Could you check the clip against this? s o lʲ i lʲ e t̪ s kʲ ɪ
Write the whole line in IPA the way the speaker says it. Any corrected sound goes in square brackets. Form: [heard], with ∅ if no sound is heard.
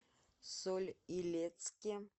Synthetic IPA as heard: s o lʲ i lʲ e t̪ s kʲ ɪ